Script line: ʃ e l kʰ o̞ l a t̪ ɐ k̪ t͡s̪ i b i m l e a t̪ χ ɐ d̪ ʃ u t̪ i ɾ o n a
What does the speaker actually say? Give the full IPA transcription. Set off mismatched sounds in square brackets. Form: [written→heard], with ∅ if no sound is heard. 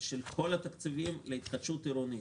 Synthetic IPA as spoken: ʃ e l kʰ o̞ l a t̪ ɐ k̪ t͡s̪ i [b→v] i m l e [a→i] t̪ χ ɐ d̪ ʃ u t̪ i ɾ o n [a→i]